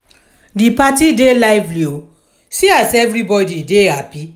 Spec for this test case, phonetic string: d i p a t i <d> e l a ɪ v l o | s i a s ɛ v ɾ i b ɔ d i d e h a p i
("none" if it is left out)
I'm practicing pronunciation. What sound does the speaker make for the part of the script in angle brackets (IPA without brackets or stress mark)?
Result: d